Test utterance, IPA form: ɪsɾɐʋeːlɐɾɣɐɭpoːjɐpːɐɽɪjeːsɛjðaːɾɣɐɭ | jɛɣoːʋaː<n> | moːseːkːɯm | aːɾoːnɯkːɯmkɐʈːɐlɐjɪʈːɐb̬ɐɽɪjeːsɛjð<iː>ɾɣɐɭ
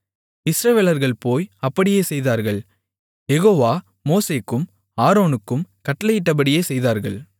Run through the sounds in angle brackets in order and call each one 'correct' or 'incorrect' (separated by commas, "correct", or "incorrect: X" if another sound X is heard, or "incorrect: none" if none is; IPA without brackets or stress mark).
incorrect: none, incorrect: aː